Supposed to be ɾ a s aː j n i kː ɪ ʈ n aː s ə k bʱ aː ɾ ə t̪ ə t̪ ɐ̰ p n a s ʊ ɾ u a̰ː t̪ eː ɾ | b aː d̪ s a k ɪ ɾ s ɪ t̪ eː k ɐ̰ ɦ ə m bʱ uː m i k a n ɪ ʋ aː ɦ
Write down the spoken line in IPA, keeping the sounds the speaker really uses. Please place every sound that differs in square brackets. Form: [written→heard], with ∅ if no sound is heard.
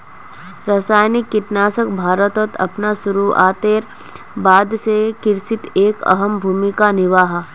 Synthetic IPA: ɾ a s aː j n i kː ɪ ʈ n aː s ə k bʱ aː ɾ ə t̪ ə t̪ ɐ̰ p n a s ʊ ɾ u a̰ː t̪ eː ɾ | b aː d̪ s [a→e] k ɪ ɾ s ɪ t̪ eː k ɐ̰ ɦ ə m bʱ uː m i k a n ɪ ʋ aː ɦ